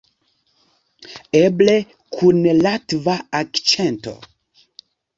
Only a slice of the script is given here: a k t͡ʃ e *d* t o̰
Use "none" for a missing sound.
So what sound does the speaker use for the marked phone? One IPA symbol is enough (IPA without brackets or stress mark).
n